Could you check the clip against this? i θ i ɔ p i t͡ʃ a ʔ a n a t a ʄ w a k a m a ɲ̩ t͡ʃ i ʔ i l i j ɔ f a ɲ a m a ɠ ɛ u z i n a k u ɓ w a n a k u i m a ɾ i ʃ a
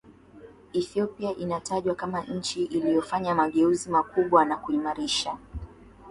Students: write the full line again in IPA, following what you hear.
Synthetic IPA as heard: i θ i ɔ p i a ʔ i n a t a ʄ w a k a m a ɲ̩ t͡ʃ i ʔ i l i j ɔ f a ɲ a m a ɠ ɛ u z i m a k u ɓ w a n a k u i m a ɾ i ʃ a